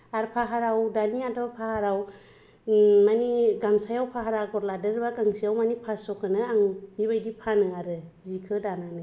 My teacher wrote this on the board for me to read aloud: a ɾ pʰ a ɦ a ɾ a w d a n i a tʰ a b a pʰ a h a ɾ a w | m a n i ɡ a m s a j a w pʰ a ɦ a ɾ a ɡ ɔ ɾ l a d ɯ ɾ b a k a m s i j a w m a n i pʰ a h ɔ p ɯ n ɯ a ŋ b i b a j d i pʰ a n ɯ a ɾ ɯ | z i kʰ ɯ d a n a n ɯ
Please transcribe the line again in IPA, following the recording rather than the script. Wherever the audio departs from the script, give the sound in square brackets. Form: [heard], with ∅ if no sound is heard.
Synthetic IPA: a ɾ pʰ a ɦ a ɾ a w d a n i a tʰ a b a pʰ a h a ɾ a w | m a n i ɡ a m s a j a w pʰ a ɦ a ɾ a ɡ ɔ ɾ l a d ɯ ɾ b a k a [ŋ] s i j a w m a n i pʰ a [s] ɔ [k] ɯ n ɯ a ŋ b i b a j d i pʰ a n ɯ a ɾ ɯ | z i kʰ ɯ d a n a n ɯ